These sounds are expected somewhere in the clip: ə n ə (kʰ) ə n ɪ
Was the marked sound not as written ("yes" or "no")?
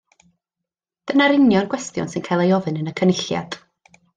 no